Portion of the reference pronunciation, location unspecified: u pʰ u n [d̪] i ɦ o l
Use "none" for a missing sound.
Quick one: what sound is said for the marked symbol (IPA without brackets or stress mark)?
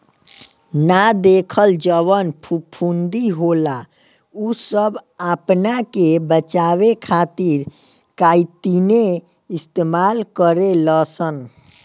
d̪